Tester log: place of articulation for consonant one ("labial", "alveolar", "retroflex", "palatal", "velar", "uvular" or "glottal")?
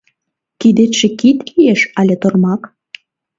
velar